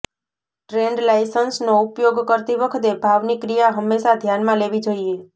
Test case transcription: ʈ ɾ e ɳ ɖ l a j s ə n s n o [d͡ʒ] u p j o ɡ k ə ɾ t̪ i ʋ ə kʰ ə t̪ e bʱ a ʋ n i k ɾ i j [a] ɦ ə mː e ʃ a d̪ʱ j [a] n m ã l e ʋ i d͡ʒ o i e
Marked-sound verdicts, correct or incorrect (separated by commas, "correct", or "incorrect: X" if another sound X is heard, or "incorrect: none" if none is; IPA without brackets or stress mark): incorrect: none, correct, correct